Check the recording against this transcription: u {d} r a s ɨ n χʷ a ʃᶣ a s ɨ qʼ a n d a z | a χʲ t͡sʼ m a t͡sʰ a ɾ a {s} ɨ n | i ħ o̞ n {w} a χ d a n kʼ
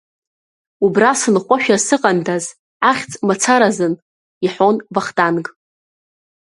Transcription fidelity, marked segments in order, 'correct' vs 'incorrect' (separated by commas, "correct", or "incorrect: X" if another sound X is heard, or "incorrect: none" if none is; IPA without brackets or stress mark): incorrect: b, incorrect: z, incorrect: v